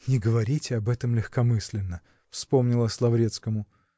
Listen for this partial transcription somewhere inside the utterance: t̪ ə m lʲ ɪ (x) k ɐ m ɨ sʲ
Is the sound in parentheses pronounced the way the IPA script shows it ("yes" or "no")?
yes